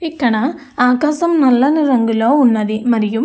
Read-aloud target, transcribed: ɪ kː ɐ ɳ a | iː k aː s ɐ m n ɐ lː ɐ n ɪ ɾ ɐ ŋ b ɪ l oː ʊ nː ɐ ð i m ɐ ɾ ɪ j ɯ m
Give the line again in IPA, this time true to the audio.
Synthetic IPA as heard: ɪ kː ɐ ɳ a | aː k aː s ɐ m n ɐ lː ɐ n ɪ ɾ ɐ ŋ ɡ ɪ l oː ʊ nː ɐ ð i m ɐ ɾ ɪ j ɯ m